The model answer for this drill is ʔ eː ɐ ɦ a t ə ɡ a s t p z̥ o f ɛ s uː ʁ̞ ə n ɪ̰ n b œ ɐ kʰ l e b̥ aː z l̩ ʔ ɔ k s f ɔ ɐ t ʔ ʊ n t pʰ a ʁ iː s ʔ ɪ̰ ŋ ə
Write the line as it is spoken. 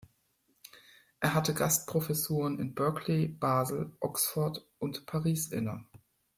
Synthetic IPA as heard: ʔ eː ɐ ɦ a t ə ɡ a s t p ʁ̥ o f ɛ s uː ʁ̞ ə n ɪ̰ n b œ ɐ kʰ l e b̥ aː z l̩ ʔ ɔ k s f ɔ ɐ t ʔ ʊ n t pʰ a ʁ iː s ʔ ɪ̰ n ə

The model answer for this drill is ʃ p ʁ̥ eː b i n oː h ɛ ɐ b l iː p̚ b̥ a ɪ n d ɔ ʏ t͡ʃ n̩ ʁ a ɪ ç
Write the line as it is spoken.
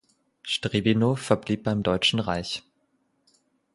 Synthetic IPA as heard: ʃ t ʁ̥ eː b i n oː f ɛ ɐ b l iː p̚ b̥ a ɪ m d ɔ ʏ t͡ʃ n̩ ʁ a ɪ ç

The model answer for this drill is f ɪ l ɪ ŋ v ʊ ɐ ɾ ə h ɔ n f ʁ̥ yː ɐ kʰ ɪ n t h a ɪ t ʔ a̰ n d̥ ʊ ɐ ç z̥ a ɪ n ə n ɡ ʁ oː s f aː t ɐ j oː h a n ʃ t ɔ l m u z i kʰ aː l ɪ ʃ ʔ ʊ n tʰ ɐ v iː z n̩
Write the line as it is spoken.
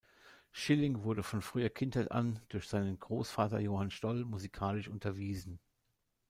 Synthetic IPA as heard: ʃ ɪ l ɪ ŋ v ʊ ɐ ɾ ə f ɔ n f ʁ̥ yː ɐ kʰ ɪ n t h a ɪ t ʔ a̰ n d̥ ʊ ɐ ç z̥ a ɪ n ə n ɡ ʁ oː s f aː t ɐ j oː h a n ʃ t ɔ l m u z i kʰ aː l ɪ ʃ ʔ ʊ n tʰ ɐ v iː z n̩

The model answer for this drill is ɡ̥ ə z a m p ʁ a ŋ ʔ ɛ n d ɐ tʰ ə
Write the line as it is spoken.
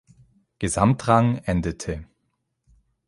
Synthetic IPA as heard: ɡ̥ ə z a m t ʁ a ŋ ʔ ɛ n d ə tʰ ə

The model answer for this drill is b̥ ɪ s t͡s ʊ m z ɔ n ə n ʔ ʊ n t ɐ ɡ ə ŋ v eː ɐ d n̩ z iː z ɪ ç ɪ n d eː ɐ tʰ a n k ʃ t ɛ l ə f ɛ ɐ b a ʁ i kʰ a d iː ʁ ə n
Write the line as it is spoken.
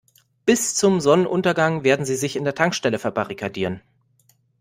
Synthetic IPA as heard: b̥ ɪ s t͡s ʊ m z ɔ n ə n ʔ ʊ n t ɐ ɡ a ŋ v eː ɐ d n̩ z iː z ɪ ç ɪ n d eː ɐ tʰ a ŋ k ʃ t ɛ l ə f ɛ ɐ b a ʁ i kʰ a d iː ʁ ə n

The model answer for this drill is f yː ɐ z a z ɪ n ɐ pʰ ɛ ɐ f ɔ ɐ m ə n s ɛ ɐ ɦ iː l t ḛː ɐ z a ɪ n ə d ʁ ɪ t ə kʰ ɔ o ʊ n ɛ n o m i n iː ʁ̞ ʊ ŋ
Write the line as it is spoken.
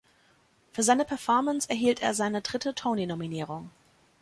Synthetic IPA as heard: f yː ɐ z a ɪ n ə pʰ ɛ ɐ f ɔ ɐ m ə n s ɛ ɐ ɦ iː l t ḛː ɐ z a ɪ n ə d ʁ ɪ t ə tʰ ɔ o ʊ n i n o m i n iː ʁ̞ ʊ ŋ

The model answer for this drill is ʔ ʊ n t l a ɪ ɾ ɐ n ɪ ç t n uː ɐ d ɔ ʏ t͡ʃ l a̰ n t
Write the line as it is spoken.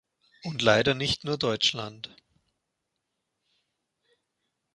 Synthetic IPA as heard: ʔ ʊ n t l a ɪ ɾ ɐ n ɪ ç t n uː ɐ d ɔ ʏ t͡ʃ l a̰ n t

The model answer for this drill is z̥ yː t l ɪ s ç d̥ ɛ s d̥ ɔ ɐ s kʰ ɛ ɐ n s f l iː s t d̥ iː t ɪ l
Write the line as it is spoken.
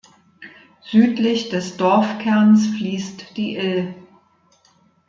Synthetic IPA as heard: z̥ yː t l ɪ ç d̥ ɛ s d̥ ɔ ɐ f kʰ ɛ ɐ n s f l iː s t d̥ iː ʔ ɪ l

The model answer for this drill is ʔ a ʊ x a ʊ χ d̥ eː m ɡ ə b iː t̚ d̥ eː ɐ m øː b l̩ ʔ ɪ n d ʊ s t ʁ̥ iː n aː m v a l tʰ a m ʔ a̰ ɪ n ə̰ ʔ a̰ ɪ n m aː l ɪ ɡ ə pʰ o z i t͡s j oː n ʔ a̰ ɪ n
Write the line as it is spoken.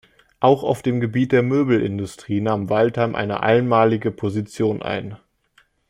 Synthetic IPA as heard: ʔ a ʊ x a ʊ f d̥ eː m ɡ ə b iː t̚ d̥ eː ɐ m øː b l̩ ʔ ɪ n d ʊ s t ʁ̥ iː n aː m v a l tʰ a m ʔ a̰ ɪ n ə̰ ʔ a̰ ɪ n m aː l ɪ ɡ ə pʰ o z i t͡s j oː n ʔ a̰ ɪ n

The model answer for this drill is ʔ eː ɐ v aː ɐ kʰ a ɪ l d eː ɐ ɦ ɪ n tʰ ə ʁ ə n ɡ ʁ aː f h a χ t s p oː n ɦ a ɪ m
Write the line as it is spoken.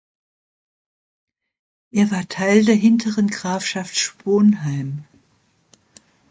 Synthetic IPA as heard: ʔ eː ɐ v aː ɐ tʰ a ɪ l d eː ɐ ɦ ɪ n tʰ ə ʁ ə n ɡ ʁ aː f ʃ a f t ʃ p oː n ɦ a ɪ m

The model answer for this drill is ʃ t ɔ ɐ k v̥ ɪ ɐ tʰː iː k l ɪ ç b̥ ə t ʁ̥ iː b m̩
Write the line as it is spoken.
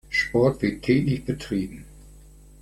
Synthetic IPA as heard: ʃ p ɔ ɐ t v̥ ɪ ɐ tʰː ɛː k l ɪ ç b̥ ə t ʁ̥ iː b m̩

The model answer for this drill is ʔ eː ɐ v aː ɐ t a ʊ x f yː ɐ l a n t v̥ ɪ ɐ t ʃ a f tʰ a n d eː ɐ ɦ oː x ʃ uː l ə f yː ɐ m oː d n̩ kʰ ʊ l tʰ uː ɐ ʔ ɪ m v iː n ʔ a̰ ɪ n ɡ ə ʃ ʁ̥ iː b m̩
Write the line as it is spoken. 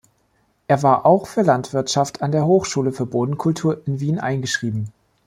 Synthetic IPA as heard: ʔ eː ɐ v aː ɐ ʔ a ʊ x f yː ɐ l a n t v̥ ɪ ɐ t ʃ a f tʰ a n d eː ɐ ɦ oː x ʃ uː l ə f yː ɐ b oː d n̩ kʰ ʊ l tʰ uː ɐ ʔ ɪ n v iː n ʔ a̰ ɪ n ɡ ə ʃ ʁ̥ iː b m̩

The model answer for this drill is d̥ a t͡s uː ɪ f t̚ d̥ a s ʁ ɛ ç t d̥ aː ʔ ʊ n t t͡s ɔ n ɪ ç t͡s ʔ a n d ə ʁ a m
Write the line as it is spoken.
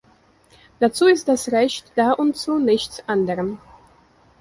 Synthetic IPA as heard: d̥ a t͡s uː ɪ s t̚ d̥ a s ʁ ɛ ç t d̥ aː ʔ ʊ n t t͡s u n ɪ ç t͡s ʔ a n d ə ʁ ə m

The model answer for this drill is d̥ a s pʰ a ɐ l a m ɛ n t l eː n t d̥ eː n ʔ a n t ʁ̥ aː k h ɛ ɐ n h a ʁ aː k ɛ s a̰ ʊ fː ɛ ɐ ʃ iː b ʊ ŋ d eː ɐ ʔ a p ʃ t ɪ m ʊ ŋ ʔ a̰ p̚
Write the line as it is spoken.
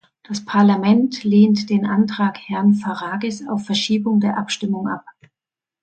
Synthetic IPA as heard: d̥ a s pʰ a ɐ l a m ɛ n t l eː n t d̥ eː n ʔ a n t ʁ̥ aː k h ɛ ɐ n f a ʁ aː ɡ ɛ s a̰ ʊ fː ɛ ɐ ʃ iː b ʊ ŋ d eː ɐ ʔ a p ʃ t ɪ m ʊ ŋ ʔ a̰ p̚

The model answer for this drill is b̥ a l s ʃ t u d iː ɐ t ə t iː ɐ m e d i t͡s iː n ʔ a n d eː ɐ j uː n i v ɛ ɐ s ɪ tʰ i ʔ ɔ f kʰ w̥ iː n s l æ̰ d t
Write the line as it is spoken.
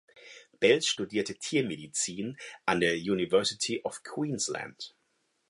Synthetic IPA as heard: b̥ ɛ l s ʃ t u d iː ɐ t ə tʰ iː ɐ m e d i t͡s iː n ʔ a n d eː ɐ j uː n i v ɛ ɐ s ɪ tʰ i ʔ ɔ f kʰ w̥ iː n s l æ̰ n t

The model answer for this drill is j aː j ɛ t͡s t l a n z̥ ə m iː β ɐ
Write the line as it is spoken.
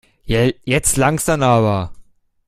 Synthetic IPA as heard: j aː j ɛ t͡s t l a ŋ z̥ a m aː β ɐ

